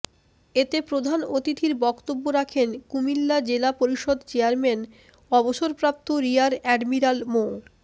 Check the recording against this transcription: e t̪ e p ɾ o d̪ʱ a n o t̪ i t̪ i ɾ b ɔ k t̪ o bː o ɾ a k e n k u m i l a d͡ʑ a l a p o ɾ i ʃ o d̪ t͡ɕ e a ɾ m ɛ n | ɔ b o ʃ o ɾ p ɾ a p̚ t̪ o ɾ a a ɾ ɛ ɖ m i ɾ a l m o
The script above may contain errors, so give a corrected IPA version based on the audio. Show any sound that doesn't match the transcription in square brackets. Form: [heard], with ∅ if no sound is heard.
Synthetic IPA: e t̪ e p ɾ o d̪ʱ a n o t̪ i t̪ i ɾ b ɔ k t̪ o bː o ɾ a [kʰ] e n k u m i [lː] a d͡ʑ [e] l a p o ɾ i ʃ o d̪ t͡ɕ e a ɾ m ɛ n | ɔ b o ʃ o ɾ p ɾ a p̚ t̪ o ɾ [i] a ɾ ɛ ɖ m i ɾ a l m o